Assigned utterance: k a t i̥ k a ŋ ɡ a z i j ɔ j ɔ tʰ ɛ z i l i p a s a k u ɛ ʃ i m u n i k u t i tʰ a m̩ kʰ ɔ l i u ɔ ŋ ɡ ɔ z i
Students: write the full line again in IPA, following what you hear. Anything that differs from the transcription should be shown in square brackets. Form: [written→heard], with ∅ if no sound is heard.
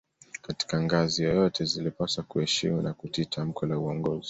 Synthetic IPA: k a t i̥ k a ŋ ɡ a z i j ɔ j ɔ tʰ ɛ z i l i p a s a k u ɛ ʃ i m u n [i→a] k u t i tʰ a m̩ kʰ ɔ l [i→a] u ɔ ŋ ɡ ɔ z i

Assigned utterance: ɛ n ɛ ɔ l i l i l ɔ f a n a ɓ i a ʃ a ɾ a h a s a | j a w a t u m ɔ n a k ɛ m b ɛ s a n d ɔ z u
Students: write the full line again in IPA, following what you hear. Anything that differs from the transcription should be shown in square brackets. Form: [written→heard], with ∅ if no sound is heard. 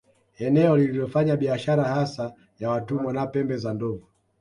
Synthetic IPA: ɛ n ɛ ɔ l i l i l ɔ f a [n→ɲ] a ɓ i a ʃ a ɾ a h a s a | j a w a t u m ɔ n a [k→p] ɛ m b ɛ [s→z] a n d ɔ [z→v] u

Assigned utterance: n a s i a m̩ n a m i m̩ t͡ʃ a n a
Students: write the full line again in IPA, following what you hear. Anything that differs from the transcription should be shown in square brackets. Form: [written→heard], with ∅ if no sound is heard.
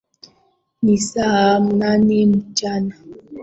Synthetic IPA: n [a→i] s [i→a] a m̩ n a [m→n] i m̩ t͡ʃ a n a

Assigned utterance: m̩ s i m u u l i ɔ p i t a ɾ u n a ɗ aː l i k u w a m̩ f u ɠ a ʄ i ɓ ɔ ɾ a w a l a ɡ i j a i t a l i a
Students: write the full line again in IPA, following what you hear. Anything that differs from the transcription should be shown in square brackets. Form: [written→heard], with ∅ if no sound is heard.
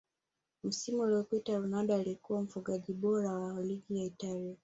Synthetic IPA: m̩ s i m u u l i ɔ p i t a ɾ u n a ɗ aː l i k u w a m̩ f u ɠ a ʄ i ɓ ɔ ɾ a w a l [a→i] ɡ i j a i t a l i a

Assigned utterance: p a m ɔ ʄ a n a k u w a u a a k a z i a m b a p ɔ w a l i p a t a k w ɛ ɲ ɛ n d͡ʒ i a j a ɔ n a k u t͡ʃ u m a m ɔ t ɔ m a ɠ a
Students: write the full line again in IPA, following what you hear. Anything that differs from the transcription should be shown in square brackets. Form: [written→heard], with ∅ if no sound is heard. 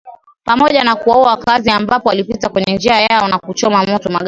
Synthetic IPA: p a m ɔ ʄ a n a k u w a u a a k a z i a m b a p ɔ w a l i p [a→i] t a k w ɛ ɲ ɛ n d͡ʒ i a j a ɔ n a k u t͡ʃ [u→ɔ] m a m ɔ t ɔ m a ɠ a

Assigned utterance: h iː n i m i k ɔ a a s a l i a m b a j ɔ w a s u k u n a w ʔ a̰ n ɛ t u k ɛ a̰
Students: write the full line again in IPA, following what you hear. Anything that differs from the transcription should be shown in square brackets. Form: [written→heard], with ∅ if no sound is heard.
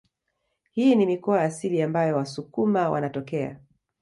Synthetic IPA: h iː n i m i k ɔ a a s [a→i] l i a m b a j ɔ w a s u k u [n→m] a w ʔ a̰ n [ɛ→a] t [u→ɔ] k ɛ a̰

